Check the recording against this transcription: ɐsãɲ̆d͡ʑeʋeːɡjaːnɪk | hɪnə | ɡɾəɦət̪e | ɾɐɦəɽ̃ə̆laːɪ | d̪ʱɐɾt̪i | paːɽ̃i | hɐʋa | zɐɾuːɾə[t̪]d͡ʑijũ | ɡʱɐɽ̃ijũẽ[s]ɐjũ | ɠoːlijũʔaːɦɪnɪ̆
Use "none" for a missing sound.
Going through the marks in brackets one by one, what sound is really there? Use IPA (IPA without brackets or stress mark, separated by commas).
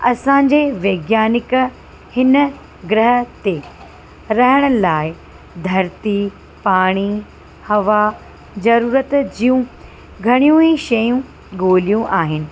t̪, ʃ